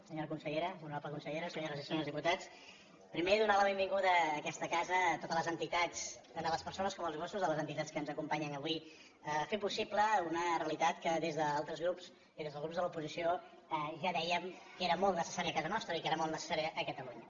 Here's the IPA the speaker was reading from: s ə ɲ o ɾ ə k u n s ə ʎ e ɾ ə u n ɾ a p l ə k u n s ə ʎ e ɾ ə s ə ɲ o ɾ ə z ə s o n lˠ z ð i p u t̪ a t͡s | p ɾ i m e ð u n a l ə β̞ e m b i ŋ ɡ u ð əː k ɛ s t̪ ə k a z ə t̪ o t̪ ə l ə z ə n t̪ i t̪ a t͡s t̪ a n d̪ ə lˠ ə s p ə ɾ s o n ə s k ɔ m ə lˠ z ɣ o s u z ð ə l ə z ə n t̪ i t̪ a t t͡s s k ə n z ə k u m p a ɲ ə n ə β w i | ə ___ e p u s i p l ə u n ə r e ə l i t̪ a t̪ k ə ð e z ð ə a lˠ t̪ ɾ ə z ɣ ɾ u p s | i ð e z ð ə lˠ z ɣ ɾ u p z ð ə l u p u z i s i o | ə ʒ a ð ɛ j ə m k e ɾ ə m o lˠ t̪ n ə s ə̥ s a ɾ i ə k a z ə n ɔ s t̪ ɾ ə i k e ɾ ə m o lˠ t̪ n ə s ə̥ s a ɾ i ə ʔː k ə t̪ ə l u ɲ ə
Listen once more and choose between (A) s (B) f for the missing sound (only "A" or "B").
B